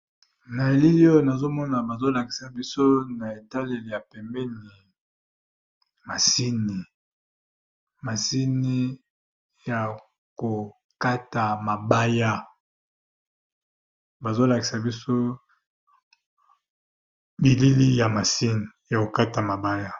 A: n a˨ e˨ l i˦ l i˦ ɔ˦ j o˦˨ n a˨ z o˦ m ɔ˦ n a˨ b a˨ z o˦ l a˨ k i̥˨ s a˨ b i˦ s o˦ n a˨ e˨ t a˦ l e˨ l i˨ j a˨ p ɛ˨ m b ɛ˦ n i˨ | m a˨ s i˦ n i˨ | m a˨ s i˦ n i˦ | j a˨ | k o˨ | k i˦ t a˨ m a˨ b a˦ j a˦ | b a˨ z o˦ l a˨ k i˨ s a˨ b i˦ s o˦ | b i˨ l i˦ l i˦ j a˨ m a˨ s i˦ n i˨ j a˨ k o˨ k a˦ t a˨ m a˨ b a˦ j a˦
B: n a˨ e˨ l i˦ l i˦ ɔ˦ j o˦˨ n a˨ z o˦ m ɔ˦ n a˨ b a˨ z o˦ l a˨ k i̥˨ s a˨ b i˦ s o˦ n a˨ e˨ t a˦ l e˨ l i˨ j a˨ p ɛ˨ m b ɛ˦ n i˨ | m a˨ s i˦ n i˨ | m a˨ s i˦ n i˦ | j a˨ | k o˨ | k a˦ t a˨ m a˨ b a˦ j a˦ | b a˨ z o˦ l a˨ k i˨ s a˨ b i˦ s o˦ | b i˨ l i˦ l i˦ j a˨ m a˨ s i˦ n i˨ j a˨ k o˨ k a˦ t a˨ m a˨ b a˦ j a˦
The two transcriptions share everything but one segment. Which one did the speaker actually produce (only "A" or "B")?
B